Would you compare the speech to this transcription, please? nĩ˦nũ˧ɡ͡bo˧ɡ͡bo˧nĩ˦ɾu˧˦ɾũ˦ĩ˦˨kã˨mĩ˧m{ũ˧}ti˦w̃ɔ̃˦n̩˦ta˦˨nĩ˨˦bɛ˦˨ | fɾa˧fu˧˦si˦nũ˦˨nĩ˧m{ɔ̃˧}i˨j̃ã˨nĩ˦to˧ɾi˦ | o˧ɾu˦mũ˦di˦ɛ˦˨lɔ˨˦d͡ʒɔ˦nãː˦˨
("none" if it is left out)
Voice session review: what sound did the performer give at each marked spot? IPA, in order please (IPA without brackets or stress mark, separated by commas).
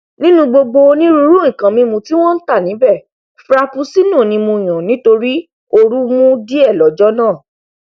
ũ˧, ũ˧